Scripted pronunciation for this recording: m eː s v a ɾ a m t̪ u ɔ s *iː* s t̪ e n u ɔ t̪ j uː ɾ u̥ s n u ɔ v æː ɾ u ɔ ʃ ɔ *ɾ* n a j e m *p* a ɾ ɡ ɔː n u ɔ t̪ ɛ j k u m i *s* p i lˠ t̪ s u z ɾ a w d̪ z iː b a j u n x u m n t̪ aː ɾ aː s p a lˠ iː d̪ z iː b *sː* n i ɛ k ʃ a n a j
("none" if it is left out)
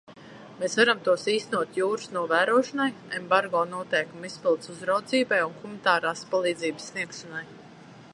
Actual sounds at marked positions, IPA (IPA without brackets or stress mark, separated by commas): iː, none, b, s, sː